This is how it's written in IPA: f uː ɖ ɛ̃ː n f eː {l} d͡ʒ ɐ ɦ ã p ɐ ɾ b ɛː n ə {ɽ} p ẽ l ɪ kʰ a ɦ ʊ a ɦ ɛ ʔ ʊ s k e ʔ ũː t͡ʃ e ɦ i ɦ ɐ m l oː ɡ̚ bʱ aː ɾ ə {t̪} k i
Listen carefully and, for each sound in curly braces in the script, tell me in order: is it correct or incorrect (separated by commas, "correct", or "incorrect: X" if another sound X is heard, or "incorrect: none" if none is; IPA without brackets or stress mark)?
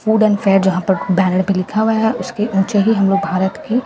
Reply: incorrect: ɾ, correct, correct